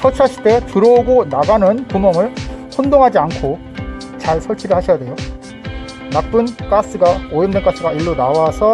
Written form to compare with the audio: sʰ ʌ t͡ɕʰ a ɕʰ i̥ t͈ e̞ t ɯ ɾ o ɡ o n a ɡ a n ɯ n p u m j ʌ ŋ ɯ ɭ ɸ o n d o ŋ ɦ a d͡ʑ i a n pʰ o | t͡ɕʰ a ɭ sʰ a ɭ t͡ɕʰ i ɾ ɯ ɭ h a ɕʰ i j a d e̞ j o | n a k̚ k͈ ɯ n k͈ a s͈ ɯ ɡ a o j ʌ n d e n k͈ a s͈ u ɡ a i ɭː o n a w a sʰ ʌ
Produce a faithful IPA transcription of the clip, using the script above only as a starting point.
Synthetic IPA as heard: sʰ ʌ t͡ɕʰ a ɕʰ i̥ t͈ e̞ t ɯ ɾ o ɡ o n a ɡ a n ɯ n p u m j ʌ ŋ ɯ ɭ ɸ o n d o ŋ ɦ a d͡ʑ i a n kʰ o | t͡ɕ a ɭ sʰ ʌ ɭ t͡ɕʰ i ɾ ɯ ɭ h a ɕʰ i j a d e̞ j o | n a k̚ p͈ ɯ n k͈ a s͈ ɯ ɡ a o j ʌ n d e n k͈ a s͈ ɯ ɡ a i ɭː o n a w a sʰ ʌ

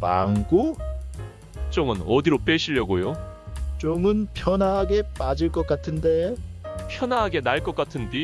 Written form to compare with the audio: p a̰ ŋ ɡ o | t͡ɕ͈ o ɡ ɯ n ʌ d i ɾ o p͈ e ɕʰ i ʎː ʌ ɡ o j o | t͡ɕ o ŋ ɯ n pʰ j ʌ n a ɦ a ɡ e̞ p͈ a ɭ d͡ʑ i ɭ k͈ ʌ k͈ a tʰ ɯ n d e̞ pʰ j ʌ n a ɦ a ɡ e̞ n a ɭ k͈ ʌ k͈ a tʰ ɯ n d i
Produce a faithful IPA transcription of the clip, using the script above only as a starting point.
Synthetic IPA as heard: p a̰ ŋ ɡ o | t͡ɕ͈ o ŋ ɯ n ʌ d i ɾ o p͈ e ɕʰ i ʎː ʌ ɡ o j o | t͡ɕ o ŋ ɯ n pʰ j ʌ n a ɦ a ɡ e̞ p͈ a d͡ʑ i ɭ k͈ ʌ k͈ a tʰ ɯ n d e̞ pʰ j ʌ n a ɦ a ɡ e̞ n a ɭ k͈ ʌ k͈ a tʰ ɯ n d i

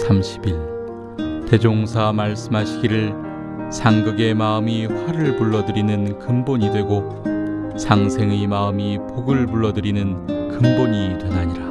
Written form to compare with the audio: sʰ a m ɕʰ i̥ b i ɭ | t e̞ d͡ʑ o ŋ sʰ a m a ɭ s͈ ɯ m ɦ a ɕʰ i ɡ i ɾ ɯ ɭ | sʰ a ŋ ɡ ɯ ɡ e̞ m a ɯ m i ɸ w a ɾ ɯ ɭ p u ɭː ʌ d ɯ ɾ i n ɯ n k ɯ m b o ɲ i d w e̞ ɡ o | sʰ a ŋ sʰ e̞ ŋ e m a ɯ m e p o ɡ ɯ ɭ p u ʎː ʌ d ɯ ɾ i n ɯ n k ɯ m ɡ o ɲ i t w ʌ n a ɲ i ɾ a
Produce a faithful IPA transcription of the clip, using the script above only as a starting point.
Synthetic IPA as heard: sʰ a m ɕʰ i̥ b i ɭ | t e̞ d͡ʑ o ŋ sʰ a m a ɭ s͈ ɯ m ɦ a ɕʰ i ɡ i ɾ ɯ ɭ | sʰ a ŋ ɡ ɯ ɡ e̞ m a ɯ m i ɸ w a ɾ ɯ ɭ p u ɭː ʌ d ɯ ɾ i n ɯ n k ɯ m b o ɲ i d w e̞ ɡ o | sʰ a ŋ sʰ e̞ ŋ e m a ɯ m i p o ɡ ɯ ɭ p u ɭː ʌ d ɯ ɾ i n ɯ n k ɯ m b o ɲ i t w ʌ n a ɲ i ɾ a

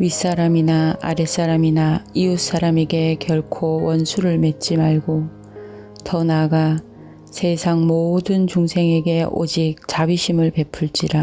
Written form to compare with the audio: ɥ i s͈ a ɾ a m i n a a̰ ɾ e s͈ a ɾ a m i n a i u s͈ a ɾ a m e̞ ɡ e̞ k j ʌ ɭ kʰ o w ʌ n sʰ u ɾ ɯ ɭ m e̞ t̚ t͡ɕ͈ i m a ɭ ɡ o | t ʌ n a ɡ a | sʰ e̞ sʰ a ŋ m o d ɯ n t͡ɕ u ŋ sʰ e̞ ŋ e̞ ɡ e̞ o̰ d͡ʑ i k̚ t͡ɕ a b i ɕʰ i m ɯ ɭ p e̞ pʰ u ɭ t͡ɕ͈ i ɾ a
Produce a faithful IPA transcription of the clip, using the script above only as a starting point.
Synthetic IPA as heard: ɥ i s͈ a ɾ a m i n a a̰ ɾ e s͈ a ɾ a m i n a i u s͈ a ɾ a m e̞ ɡ e̞ k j ʌ ɭ kʰ o w ʌ n sʰ u ɾ ɯ ɭ m e̞ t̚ t͡ɕ͈ i m a ɭ ɡ o | t ʌ n a ɡ a | sʰ e̞ sʰ a ŋ m o d ɯ n t͡ɕ u ŋ sʰ e̞ ŋ e̞ ɡ e̞ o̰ d͡ʑ i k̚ t͡ɕ a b i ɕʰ i m ɯ ɭ p e̞ pʰ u ɭ t͡ɕ͈ i ɾ a

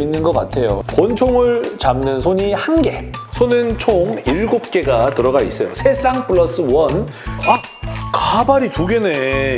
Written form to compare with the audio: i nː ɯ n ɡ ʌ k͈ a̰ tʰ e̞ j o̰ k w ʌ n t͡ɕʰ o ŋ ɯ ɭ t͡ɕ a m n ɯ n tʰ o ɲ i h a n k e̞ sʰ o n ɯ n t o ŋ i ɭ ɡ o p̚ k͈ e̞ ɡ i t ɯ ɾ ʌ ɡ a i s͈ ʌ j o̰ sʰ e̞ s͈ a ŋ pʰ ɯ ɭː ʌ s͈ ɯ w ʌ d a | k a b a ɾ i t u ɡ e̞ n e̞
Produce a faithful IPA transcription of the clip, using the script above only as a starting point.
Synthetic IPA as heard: i nː ɯ n ɡ ʌ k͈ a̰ tʰ e̞ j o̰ k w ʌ n t͡ɕʰ o ŋ ɯ ɭ t͡ɕ a m n ɯ n sʰ o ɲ i h a n ɡ e̞ sʰ o n ɯ n t͡ɕʰ o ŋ i ɭ ɡ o p̚ k͈ e̞ ɡ a t ɯ ɾ ʌ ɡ a i s͈ ʌ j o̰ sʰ e̞ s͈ a ŋ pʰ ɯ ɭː ʌ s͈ ɯ w ʌ n a | k a b a ɾ i t u ɡ e̞ n e̞

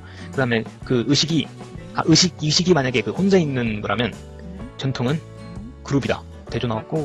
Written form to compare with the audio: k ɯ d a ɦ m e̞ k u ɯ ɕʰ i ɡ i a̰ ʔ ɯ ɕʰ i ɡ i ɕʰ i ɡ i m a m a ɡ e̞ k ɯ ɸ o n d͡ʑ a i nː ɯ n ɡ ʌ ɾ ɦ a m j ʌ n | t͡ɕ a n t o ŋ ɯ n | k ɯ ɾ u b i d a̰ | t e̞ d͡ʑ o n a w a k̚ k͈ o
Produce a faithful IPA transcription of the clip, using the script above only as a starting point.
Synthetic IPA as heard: k ɯ d a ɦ m e̞ k ɯ ɯ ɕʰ i ɡ i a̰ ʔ ɯ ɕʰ i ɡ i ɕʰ i ɡ i m a ɲ a ɡ e̞ k ɯ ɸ o n d͡ʑ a i nː ɯ n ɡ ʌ ɾ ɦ a m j ʌ n | t͡ɕ ʌ n tʰ o ŋ ɯ n | k ɯ ɾ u b i d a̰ | t e̞ d͡ʑ o n a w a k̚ k͈ o

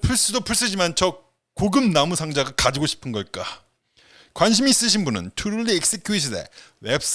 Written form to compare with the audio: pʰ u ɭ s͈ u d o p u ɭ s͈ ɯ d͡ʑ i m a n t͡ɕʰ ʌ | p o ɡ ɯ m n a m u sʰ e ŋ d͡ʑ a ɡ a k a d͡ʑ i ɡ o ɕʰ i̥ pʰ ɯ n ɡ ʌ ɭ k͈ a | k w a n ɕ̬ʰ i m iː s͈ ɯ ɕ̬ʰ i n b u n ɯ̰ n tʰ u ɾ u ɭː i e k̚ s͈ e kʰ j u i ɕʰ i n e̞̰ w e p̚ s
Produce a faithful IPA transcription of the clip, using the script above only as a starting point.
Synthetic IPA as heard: pʰ u ɭ s͈ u d o pʰ u ɭ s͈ ɯ d͡ʑ i m a n t͡ɕʰ ʌ | k o ɡ ɯ m n a m u sʰ a ŋ d͡ʑ a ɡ a k a d͡ʑ i ɡ o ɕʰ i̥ pʰ ɯ n ɡ ʌ ɭ k͈ a | k w a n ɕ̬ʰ i m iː s͈ ɯ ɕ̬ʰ i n b u n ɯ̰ n tʰ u ɾ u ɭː i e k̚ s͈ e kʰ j u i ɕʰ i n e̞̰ w e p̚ s

